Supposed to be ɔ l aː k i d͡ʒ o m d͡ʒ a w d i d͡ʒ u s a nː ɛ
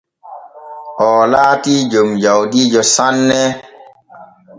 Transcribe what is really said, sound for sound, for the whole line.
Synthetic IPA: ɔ l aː t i d͡ʒ o m d͡ʒ a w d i d͡ʒ ɔ s a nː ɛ